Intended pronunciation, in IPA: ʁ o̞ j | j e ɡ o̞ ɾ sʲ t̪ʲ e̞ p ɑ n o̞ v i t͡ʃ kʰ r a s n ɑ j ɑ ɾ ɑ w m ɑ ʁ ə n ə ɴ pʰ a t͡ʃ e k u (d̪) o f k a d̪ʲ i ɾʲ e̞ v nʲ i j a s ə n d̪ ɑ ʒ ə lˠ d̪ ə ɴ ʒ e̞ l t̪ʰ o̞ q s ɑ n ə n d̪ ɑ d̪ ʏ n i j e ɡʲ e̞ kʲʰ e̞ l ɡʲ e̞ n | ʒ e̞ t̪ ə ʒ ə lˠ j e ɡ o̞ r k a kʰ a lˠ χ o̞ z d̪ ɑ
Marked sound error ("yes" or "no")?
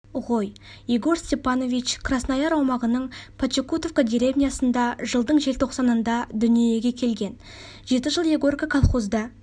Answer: yes